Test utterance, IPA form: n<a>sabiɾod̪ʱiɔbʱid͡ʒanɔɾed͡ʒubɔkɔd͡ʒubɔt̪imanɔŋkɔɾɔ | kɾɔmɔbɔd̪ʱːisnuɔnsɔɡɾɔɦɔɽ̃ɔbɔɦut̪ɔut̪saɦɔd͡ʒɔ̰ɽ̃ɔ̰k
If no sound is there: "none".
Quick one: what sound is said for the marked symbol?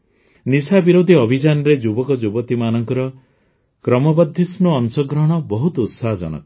i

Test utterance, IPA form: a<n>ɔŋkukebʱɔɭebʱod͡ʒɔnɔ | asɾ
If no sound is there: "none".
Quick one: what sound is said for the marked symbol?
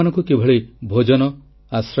n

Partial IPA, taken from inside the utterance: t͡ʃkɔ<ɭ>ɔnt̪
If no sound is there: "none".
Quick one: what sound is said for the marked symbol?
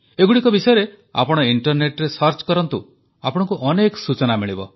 ɾ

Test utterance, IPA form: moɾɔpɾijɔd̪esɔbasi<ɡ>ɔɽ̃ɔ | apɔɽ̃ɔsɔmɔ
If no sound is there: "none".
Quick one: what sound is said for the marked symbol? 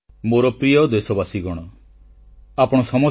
ɡ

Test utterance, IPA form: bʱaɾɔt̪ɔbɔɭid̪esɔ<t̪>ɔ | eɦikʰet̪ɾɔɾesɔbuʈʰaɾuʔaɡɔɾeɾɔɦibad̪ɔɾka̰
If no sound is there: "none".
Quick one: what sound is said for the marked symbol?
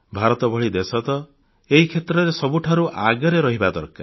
t̪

